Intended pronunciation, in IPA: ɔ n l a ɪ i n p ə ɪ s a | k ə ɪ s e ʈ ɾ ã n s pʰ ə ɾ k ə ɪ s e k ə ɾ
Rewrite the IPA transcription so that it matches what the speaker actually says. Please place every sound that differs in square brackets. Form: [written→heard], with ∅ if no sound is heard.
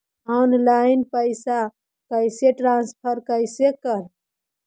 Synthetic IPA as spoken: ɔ n l a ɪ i n p ə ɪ s a | k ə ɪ s e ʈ ɾ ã n s pʰ ə ɾ k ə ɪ s e k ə ɾ

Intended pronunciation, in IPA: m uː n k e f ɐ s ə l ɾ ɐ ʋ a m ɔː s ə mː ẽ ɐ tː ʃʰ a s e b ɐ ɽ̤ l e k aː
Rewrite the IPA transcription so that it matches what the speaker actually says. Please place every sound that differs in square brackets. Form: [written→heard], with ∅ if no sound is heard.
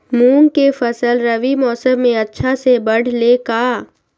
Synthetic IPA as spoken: m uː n k e f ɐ s ə l ɾ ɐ ʋ [a→i] m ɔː s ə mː ẽ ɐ tː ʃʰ a s e b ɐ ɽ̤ l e k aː

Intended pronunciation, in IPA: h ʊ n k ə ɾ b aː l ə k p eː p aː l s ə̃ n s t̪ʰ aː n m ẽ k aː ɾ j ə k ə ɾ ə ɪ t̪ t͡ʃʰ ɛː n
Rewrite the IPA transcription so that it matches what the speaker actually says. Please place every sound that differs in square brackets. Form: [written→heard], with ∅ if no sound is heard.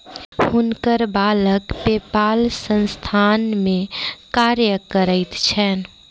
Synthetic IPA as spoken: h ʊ n k ə ɾ b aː l ə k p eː p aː l s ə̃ n s t̪ʰ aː n m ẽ k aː ɾ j ə k ə ɾ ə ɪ t̪ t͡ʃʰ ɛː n

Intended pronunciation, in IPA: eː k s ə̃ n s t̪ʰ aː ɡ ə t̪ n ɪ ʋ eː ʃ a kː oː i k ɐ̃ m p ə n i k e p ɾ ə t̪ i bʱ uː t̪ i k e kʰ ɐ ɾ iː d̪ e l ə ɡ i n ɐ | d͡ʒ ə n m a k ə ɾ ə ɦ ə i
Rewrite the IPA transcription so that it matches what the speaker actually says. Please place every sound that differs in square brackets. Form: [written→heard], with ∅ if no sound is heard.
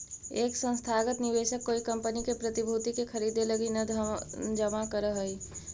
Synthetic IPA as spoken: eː k s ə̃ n s t̪ʰ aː ɡ ə t̪ n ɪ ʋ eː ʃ [a→ə] kː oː i k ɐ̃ m p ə n i k e p ɾ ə t̪ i bʱ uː t̪ i k e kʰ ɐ ɾ iː d̪ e l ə ɡ i n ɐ | d͡ʒ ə [n→∅] m a k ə ɾ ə ɦ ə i

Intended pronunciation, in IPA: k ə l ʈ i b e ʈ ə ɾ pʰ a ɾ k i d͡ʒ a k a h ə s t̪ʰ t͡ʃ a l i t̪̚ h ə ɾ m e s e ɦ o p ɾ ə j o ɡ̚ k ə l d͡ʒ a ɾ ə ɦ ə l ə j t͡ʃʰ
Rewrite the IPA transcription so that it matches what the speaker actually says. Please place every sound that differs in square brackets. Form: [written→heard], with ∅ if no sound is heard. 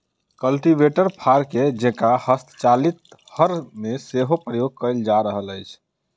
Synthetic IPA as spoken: k ə l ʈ i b e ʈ ə ɾ pʰ a ɾ k [i→e] d͡ʒ [a→e] k a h ə s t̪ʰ t͡ʃ a l i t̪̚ h ə ɾ m e s e ɦ o p ɾ ə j o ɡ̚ k ə l d͡ʒ a ɾ ə ɦ ə l ə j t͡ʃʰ

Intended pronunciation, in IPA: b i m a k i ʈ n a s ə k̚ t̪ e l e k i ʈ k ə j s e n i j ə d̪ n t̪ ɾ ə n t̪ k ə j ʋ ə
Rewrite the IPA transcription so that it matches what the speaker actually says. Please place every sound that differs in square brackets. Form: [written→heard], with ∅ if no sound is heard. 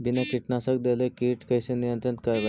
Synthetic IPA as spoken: b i [m→n] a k i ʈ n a s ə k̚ [t̪→d̪] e l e k i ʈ k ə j s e n i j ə [d̪→∅] n t̪ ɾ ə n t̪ k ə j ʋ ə

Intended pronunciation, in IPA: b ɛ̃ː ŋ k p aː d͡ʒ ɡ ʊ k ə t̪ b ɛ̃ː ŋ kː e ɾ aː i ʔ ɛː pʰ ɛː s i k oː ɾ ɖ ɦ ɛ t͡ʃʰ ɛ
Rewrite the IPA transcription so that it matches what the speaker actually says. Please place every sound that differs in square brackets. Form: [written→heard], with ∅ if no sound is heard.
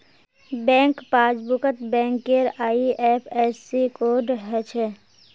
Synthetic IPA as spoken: b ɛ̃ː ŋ k p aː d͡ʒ [ɡ→b] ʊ k ə t̪ b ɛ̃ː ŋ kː e ɾ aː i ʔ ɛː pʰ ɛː s i k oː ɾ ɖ ɦ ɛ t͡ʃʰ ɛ

